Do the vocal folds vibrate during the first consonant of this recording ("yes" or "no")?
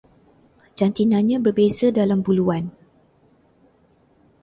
yes